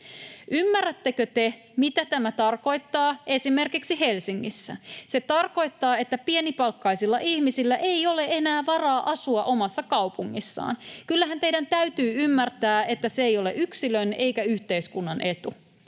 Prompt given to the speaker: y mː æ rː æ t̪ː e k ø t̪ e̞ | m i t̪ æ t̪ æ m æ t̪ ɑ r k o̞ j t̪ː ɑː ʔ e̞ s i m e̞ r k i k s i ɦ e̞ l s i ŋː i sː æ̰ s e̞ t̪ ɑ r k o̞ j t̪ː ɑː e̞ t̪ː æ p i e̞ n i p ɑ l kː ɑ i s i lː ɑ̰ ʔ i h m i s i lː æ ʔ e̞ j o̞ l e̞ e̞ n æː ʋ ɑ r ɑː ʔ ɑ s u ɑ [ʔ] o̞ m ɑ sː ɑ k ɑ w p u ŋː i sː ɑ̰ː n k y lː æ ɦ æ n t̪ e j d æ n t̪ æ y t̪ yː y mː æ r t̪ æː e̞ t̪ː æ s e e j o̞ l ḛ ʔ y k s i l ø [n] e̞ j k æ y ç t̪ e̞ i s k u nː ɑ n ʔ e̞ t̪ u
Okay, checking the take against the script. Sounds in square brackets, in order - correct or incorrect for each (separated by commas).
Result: correct, correct